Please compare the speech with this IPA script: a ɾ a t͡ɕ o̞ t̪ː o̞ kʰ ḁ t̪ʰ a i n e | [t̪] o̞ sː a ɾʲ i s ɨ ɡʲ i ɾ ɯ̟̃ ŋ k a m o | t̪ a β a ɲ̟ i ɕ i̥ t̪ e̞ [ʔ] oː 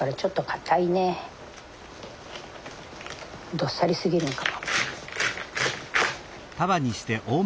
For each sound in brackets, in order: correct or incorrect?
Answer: incorrect, correct

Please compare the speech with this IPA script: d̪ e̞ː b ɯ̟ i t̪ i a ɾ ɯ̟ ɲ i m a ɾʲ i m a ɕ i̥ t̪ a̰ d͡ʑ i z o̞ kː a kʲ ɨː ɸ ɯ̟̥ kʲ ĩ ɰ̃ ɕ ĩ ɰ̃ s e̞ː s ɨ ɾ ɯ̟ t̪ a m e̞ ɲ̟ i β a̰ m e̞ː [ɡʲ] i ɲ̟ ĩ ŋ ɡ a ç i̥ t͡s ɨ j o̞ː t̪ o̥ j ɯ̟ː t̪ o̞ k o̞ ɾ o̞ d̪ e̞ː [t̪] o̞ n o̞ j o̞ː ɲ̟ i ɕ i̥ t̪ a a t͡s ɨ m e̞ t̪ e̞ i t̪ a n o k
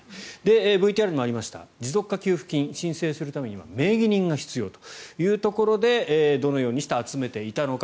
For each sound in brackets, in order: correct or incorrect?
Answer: correct, incorrect

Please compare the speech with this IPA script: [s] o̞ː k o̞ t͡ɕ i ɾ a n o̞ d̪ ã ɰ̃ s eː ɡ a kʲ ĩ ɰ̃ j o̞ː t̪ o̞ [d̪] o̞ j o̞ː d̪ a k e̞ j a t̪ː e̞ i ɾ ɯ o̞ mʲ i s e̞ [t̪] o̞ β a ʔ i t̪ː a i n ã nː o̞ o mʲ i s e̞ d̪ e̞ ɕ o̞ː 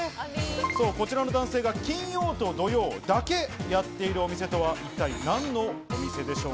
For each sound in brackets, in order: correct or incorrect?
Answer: correct, correct, correct

